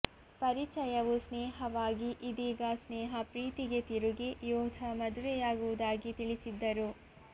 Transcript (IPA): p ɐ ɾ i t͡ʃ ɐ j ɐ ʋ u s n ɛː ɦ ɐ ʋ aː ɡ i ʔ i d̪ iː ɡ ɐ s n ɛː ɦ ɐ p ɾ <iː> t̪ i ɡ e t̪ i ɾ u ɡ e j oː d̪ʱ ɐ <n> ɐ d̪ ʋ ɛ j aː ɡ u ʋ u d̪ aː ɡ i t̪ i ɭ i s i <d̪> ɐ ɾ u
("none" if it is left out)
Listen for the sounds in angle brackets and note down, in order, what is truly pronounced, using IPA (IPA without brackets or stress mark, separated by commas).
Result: iː, m, d̪ː